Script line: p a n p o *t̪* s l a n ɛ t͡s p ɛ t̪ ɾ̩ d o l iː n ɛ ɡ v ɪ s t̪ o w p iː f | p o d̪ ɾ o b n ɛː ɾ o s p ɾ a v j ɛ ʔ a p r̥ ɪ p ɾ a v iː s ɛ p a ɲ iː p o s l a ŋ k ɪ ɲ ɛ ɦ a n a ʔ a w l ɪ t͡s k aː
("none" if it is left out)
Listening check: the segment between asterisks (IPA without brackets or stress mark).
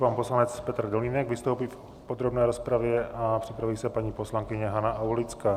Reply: none